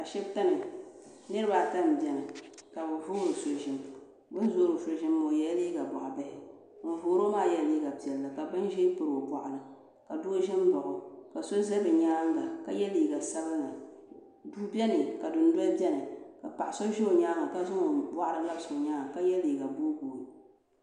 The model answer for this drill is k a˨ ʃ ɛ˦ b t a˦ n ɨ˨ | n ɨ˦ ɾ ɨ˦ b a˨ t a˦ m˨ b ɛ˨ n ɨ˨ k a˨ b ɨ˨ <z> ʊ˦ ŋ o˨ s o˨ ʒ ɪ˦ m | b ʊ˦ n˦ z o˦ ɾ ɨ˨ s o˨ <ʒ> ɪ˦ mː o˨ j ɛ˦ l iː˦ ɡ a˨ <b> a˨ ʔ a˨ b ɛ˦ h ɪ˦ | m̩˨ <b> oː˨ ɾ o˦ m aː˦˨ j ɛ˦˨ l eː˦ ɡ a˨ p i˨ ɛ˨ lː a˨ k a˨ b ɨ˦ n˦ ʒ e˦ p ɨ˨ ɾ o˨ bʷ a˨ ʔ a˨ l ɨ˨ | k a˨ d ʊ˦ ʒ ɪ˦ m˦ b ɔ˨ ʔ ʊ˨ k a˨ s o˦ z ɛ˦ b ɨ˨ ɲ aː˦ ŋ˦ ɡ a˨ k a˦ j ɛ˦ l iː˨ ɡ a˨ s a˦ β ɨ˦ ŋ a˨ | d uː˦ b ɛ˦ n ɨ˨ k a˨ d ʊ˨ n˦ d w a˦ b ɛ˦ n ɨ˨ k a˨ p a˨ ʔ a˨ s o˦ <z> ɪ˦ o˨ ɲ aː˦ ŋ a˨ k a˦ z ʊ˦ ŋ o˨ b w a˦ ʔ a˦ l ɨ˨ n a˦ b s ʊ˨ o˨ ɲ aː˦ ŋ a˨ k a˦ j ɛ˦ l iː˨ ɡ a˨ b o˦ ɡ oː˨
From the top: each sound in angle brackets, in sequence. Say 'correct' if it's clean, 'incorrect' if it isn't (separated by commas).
incorrect, correct, correct, incorrect, incorrect